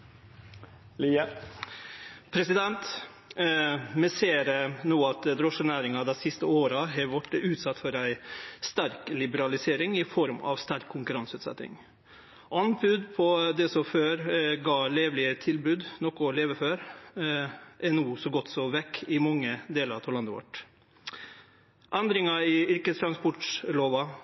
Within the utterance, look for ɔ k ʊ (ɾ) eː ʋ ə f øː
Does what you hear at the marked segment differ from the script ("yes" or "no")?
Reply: yes